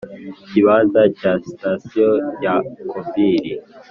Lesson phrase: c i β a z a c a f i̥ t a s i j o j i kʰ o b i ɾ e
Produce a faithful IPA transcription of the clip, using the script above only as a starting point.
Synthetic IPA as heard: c i β a z a c a s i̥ t a s i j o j a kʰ o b i ɾ i